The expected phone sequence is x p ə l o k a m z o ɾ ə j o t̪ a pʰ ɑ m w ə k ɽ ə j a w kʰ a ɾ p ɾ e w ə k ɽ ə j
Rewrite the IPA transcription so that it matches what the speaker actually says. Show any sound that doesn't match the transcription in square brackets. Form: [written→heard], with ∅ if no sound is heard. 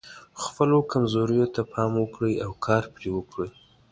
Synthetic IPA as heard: x p ə l o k a m z o ɾ ə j o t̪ a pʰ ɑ m w ə k ɽ ə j a w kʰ [a→ɑ] ɾ p ɾ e w ə k ɽ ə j